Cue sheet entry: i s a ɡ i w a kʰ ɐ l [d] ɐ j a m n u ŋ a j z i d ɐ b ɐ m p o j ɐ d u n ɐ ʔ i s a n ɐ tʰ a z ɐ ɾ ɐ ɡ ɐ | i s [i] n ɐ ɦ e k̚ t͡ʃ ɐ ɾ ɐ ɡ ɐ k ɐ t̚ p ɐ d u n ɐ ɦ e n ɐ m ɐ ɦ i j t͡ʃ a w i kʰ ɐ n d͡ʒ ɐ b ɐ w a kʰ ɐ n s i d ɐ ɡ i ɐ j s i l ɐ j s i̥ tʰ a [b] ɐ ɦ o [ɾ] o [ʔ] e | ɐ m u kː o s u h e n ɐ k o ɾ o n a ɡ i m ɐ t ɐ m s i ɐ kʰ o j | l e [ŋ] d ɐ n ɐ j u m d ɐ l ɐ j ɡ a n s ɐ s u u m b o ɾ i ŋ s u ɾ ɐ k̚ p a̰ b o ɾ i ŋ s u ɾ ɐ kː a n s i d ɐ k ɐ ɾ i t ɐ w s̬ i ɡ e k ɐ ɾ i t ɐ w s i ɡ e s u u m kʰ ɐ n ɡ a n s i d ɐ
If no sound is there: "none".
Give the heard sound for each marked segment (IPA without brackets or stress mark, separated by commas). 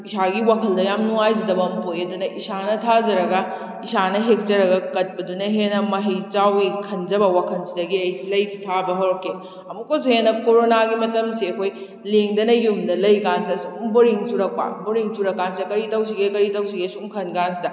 d, a, b, ɾ, k, ŋ